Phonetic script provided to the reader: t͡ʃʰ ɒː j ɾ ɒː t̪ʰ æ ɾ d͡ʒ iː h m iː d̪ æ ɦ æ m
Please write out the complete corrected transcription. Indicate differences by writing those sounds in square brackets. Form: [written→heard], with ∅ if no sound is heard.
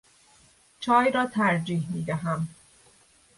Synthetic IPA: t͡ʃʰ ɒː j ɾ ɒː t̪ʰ æ ɾ d͡ʒ iː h m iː d̪ æ ɦ æ m